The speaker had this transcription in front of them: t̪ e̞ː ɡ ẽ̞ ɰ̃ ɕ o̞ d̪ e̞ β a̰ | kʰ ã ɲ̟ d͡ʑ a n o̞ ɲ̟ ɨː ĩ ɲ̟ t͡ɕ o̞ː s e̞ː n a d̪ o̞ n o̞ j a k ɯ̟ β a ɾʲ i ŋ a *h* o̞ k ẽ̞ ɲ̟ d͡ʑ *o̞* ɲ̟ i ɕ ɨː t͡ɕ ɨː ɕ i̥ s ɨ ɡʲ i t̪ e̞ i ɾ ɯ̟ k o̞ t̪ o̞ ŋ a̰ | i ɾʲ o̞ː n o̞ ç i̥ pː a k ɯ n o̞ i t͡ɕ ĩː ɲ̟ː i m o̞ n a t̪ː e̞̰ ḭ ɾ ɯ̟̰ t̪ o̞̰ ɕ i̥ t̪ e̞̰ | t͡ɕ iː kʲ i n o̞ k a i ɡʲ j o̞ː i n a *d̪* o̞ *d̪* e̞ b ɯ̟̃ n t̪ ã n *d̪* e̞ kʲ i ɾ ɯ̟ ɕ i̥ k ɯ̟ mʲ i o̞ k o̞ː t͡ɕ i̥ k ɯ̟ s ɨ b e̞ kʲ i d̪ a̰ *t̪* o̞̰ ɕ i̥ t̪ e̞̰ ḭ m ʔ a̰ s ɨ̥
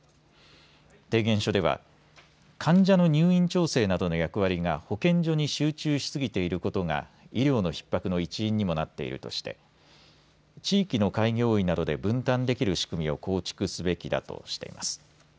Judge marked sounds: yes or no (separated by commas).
yes, yes, yes, yes, yes, yes